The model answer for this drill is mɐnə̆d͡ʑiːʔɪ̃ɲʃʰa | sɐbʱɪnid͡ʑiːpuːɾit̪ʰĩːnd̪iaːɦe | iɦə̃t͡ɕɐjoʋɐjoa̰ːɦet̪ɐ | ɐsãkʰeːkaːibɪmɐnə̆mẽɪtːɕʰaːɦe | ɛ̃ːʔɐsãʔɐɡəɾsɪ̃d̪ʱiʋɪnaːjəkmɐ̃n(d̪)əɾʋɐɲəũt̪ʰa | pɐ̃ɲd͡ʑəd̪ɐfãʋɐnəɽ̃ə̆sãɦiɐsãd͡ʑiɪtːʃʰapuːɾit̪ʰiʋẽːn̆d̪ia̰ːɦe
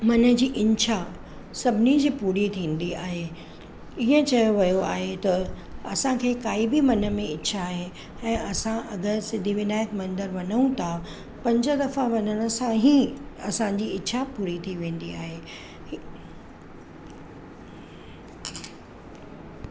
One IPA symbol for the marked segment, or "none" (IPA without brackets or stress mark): d̪